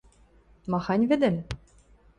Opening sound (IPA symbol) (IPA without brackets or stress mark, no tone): m